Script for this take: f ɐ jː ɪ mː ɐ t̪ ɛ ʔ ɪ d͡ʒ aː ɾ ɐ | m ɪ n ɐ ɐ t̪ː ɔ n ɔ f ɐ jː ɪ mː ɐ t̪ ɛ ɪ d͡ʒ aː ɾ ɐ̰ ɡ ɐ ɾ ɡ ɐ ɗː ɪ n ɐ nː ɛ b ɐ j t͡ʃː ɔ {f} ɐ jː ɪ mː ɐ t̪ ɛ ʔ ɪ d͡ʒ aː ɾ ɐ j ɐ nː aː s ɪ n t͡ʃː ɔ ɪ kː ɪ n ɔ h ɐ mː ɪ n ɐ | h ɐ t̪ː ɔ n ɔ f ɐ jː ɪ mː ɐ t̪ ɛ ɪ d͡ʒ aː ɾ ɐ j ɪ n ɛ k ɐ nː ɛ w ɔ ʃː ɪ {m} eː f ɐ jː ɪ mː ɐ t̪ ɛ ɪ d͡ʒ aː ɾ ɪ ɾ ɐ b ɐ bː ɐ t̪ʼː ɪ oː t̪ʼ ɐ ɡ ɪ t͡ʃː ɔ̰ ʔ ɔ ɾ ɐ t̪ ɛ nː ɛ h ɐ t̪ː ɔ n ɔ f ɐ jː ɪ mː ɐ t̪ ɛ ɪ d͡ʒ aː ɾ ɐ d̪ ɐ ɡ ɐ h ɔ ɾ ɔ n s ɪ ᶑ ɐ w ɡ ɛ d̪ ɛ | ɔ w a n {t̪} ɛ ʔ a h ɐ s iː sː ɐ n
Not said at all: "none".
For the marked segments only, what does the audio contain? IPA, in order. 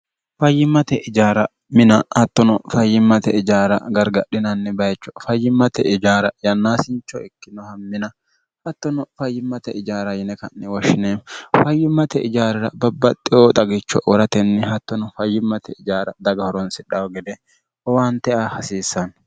f, n, t̪

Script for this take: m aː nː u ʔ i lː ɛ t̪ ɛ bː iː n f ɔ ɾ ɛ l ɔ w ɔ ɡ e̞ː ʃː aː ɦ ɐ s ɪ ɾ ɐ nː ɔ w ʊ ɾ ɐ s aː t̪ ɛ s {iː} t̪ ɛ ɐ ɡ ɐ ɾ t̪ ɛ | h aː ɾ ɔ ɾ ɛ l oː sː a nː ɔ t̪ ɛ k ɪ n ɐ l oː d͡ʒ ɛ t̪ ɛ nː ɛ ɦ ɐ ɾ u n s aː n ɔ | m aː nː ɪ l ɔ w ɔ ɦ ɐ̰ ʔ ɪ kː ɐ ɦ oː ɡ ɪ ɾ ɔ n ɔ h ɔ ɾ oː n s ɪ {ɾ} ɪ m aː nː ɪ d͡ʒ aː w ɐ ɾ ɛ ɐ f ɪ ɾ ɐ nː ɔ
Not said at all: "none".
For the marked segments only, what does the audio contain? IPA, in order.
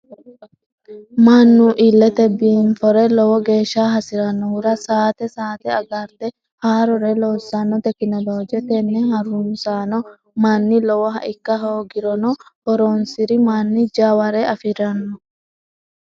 aː, ɾ

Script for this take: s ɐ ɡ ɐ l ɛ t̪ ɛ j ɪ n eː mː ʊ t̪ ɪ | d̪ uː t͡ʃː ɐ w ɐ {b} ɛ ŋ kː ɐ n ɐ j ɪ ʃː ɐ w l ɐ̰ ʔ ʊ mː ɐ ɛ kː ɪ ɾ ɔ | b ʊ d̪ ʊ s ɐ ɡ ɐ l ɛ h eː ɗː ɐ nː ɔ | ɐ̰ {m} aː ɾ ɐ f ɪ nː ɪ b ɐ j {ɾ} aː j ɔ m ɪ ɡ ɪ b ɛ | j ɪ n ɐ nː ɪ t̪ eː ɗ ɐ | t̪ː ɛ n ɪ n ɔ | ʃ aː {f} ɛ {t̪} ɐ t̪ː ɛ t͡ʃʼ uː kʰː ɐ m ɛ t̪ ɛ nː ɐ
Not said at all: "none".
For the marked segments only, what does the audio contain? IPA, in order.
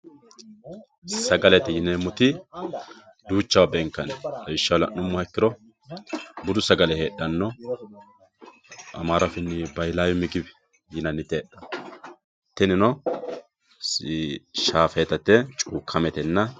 b, m, l, f, t̪

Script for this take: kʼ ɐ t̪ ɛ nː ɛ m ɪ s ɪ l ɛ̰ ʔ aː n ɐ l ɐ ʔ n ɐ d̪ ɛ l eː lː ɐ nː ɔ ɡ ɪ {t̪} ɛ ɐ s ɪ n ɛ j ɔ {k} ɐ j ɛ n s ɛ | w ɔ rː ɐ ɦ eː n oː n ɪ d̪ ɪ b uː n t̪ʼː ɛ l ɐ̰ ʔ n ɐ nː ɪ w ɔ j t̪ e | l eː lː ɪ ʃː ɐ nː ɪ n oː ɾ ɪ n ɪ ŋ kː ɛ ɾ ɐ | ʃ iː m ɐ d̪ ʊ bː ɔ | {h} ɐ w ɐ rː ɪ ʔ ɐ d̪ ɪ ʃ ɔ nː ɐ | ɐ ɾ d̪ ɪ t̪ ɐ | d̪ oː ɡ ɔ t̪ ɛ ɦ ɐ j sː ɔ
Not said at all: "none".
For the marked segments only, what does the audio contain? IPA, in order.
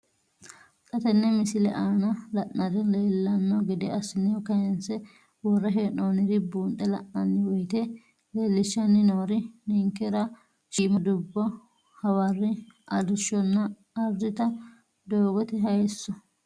d̪, k, h

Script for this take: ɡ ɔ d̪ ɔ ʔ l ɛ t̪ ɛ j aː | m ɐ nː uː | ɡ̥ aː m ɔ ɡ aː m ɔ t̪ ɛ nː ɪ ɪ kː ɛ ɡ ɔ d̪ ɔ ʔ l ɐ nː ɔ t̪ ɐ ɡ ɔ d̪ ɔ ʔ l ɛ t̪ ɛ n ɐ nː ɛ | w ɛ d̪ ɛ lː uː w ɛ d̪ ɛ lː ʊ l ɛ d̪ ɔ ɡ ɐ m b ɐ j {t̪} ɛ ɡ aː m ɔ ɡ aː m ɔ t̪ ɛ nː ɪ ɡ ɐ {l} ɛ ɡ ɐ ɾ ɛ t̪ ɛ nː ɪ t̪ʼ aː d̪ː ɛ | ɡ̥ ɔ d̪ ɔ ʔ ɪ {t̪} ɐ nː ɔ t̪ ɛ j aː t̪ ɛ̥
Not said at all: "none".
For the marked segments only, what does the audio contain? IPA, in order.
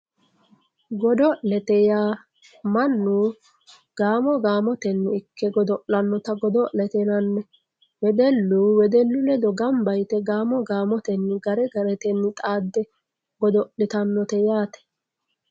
t̪, ɾ, t̪

